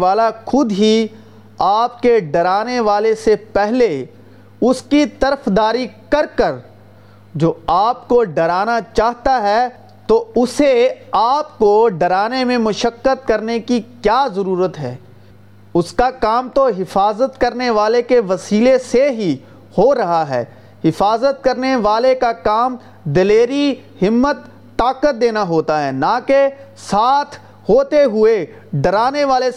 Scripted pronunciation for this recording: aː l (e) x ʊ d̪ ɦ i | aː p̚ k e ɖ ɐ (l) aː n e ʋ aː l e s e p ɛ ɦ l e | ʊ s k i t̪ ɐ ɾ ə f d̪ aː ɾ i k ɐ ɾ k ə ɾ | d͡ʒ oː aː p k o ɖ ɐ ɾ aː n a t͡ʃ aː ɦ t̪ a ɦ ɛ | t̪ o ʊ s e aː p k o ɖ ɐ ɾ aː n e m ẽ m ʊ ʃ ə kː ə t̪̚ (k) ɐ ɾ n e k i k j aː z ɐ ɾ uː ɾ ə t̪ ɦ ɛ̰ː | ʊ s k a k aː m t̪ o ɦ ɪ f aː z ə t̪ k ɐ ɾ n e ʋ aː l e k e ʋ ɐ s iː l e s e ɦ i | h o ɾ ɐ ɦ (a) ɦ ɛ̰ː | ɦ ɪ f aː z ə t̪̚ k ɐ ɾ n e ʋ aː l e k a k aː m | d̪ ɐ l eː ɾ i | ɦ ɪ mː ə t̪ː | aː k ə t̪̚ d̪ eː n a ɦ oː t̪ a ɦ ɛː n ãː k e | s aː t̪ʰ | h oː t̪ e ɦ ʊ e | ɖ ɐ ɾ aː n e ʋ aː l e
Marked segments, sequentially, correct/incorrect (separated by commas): incorrect, incorrect, correct, correct